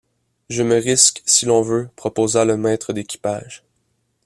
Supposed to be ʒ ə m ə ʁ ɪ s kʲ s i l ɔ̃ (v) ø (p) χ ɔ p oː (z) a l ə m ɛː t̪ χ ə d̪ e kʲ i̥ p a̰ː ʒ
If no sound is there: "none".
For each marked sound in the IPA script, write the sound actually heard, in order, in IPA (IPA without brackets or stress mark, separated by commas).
v, p, z